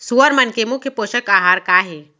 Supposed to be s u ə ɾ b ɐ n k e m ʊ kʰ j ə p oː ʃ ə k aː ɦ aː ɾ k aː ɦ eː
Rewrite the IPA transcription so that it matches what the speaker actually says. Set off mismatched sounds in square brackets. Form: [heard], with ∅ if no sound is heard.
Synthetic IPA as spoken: s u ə ɾ [m] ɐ n k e m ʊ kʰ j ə p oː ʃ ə k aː ɦ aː ɾ k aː ɦ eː